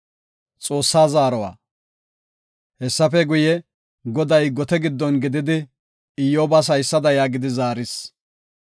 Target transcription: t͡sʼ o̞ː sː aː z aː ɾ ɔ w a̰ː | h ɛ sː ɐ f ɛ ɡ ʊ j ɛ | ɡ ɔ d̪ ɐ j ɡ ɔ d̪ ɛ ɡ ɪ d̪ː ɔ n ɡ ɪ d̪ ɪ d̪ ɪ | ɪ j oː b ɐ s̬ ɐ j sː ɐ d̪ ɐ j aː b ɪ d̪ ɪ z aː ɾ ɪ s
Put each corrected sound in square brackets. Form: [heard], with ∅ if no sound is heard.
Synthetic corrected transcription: t͡sʼ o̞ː sː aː z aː ɾ ɔ w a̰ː | h ɛ sː ɐ f ɛ ɡ ʊ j ɛ | ɡ ɔ d̪ ɐ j ɡ ɔ [t̪] ɛ ɡ ɪ d̪ː ɔ n ɡ ɪ d̪ ɪ d̪ ɪ | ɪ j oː b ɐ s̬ ɐ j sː ɐ d̪ ɐ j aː [ɡ] ɪ d̪ ɪ z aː ɾ ɪ s